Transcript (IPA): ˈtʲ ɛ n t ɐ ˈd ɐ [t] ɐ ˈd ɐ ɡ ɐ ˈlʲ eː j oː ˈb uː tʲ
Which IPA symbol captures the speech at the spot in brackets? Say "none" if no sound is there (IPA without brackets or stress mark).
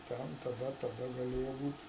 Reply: t